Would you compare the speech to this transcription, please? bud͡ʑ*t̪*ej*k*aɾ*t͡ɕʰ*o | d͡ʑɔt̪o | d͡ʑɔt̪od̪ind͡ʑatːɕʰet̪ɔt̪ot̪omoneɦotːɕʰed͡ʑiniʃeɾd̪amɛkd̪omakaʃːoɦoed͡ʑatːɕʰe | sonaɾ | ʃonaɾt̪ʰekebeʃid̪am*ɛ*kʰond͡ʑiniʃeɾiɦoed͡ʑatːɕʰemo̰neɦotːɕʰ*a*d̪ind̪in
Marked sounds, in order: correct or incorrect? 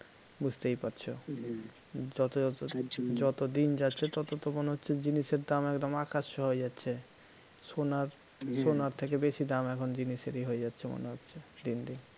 correct, incorrect: p, correct, correct, incorrect: e

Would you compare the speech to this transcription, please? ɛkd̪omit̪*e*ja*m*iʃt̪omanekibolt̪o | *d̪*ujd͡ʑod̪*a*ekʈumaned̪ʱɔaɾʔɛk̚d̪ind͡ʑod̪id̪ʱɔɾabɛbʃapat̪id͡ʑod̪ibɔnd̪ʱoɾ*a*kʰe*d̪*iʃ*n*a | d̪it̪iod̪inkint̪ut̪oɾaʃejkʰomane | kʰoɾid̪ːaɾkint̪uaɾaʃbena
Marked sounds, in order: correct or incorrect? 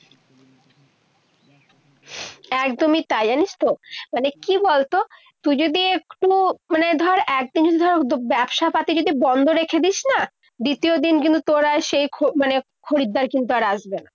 incorrect: a, incorrect: n, incorrect: t̪, incorrect: i, incorrect: e, correct, correct

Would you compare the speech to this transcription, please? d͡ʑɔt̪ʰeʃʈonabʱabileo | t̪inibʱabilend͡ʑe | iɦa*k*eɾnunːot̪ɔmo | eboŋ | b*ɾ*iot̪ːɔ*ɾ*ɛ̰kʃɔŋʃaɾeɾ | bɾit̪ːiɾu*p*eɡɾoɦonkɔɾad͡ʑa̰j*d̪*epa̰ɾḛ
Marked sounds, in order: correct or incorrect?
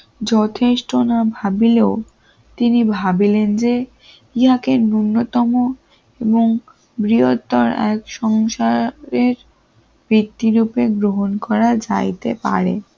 correct, correct, correct, correct, incorrect: t̪

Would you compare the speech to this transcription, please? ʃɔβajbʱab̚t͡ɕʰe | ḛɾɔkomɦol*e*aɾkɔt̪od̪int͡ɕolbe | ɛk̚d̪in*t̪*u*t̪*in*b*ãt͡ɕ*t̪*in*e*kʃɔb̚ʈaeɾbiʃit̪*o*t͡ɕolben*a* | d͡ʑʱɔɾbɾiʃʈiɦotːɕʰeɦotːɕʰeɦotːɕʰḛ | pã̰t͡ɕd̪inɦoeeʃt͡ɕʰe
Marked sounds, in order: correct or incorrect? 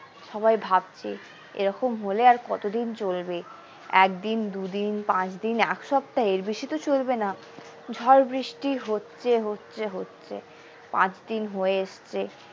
correct, incorrect: d̪, incorrect: d̪, incorrect: p, incorrect: d̪, incorrect: ɛ, correct, correct

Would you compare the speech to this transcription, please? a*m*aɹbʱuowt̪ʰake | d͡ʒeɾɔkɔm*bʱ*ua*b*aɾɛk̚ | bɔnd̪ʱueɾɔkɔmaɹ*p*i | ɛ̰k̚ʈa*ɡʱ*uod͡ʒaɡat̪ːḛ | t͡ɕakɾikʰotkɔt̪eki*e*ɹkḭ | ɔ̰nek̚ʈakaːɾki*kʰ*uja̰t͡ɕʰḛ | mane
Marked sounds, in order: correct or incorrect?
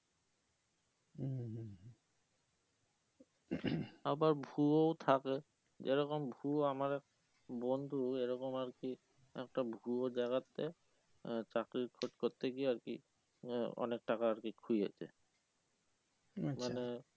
incorrect: b, correct, incorrect: m, incorrect: k, incorrect: bʱ, incorrect: a, correct

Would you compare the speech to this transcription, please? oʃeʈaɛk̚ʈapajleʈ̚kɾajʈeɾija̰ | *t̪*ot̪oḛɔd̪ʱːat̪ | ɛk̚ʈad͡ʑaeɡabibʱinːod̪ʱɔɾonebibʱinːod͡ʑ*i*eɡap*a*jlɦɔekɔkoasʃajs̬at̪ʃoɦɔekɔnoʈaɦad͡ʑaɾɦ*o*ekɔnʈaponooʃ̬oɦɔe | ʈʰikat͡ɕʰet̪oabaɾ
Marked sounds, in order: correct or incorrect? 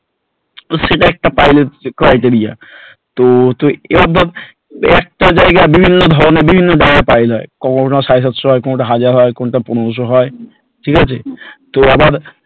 correct, incorrect: a, correct, incorrect: ɔ

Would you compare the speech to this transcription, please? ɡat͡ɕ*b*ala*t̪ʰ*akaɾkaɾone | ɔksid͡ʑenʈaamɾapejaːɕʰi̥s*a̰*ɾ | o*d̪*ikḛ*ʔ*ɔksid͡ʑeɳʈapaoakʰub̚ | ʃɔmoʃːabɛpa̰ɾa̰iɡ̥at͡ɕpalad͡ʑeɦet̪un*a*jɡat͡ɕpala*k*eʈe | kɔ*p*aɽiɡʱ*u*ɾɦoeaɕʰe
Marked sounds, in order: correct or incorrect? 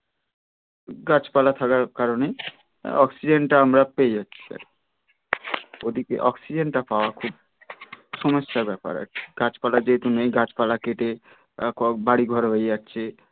incorrect: p, correct, correct, correct, correct, incorrect: e, correct, incorrect: b, incorrect: ɔ

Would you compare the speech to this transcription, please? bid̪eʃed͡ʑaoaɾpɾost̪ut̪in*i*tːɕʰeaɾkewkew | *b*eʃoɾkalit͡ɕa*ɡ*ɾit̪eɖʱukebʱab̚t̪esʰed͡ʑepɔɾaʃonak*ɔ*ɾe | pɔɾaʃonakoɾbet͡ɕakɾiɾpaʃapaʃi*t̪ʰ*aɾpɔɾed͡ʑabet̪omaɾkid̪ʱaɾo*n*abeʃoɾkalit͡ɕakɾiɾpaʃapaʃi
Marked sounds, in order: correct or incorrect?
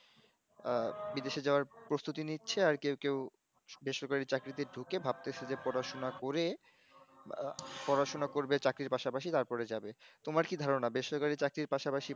correct, correct, incorrect: k, incorrect: o, incorrect: t̪, correct

